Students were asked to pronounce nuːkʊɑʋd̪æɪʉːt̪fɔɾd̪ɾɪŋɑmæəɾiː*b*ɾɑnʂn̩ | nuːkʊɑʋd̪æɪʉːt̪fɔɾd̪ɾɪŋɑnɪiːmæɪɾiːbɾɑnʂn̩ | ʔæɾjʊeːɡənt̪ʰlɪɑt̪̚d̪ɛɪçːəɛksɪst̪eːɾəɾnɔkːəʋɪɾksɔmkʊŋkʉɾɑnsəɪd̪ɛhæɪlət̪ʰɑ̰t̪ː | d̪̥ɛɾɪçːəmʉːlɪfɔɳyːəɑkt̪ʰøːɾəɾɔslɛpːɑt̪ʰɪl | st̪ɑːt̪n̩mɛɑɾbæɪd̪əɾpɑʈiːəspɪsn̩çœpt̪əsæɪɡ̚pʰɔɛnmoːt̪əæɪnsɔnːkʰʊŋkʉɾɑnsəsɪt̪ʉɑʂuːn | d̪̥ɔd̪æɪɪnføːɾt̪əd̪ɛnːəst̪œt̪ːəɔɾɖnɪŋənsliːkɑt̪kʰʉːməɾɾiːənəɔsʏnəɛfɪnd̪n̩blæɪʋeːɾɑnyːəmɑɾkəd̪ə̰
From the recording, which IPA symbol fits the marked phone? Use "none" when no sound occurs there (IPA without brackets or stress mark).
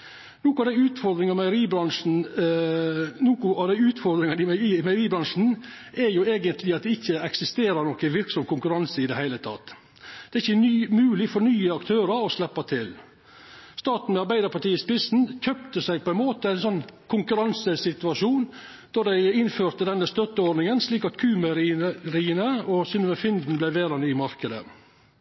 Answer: b